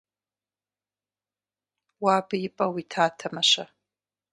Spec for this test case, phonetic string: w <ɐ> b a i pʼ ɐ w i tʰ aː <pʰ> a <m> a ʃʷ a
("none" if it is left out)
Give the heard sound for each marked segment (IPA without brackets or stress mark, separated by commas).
a, tʰ, m